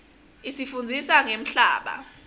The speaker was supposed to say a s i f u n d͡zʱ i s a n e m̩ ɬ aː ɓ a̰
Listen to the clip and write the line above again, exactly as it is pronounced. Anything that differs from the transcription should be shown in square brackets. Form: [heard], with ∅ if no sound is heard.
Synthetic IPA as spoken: [i] s i f u n d͡zʱ i s a [ŋ] e m̩ ɬ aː ɓ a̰